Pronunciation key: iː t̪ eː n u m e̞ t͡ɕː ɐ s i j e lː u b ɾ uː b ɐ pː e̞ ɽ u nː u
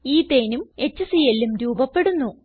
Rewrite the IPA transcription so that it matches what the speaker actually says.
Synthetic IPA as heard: iː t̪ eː n u m e̞ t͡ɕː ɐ s i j e lː u m ɾ uː b ɐ pː e̞ ɽ u nː u